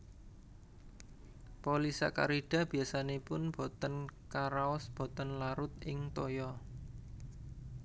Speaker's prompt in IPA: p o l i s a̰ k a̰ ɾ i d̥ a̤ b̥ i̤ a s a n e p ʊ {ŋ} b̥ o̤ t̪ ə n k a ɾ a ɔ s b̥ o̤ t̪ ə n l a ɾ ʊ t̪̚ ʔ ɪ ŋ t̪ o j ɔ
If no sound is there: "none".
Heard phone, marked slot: n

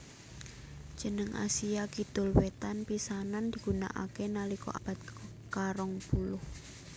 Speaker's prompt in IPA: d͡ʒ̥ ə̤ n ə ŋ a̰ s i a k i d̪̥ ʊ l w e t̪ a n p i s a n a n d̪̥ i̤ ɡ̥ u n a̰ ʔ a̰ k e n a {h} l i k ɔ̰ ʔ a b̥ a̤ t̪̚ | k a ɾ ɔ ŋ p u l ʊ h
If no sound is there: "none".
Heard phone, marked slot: none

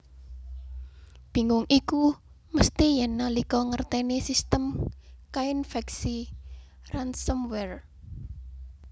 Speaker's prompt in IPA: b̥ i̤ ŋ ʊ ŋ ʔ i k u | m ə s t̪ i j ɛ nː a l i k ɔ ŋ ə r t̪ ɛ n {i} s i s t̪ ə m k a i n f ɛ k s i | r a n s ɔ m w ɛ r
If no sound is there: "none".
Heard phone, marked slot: e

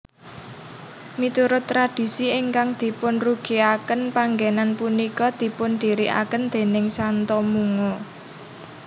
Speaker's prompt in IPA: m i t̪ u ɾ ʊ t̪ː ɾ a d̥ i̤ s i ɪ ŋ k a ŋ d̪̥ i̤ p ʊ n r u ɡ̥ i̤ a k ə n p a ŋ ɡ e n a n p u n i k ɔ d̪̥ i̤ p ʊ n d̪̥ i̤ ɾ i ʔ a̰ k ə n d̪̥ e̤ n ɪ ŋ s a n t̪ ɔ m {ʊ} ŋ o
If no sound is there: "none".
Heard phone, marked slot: u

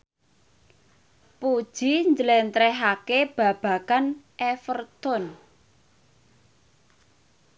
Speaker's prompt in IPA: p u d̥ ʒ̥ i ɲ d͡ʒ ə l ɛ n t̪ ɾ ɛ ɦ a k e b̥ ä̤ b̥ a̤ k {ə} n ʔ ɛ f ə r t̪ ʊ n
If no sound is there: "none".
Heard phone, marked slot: a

